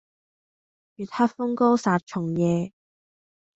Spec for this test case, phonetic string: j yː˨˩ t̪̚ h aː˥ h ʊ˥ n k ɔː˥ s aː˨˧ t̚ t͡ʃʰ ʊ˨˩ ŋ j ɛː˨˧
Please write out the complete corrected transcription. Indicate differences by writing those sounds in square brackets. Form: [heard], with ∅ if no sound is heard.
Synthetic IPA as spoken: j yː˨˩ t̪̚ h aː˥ [f] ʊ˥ [ŋ] k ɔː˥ s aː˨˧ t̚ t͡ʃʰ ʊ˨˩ ŋ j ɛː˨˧